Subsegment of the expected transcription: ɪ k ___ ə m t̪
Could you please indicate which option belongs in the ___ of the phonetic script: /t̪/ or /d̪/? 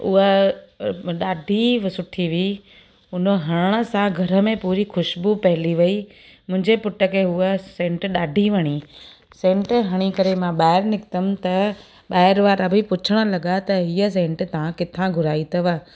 t̪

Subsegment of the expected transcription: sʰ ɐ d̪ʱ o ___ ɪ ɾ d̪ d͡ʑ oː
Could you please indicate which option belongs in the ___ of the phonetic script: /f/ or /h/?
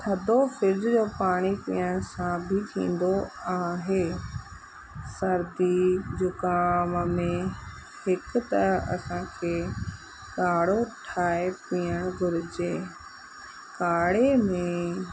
f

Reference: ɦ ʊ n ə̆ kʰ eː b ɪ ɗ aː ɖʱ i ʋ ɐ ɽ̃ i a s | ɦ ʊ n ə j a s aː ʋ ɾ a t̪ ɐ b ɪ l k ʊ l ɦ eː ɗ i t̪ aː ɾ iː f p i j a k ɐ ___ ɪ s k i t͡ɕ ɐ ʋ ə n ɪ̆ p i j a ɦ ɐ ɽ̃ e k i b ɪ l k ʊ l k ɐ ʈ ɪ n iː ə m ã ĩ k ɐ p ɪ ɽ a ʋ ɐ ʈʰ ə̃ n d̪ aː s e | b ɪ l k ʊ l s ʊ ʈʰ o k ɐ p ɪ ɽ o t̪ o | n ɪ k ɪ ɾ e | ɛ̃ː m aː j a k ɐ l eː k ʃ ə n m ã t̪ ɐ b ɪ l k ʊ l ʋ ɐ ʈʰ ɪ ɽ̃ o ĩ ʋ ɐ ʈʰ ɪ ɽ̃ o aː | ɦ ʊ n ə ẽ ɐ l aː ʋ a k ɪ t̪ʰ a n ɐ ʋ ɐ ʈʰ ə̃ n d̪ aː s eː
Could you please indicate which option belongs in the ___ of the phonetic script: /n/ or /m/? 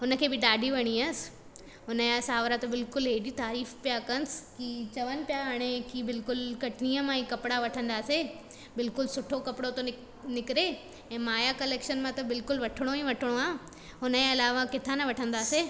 n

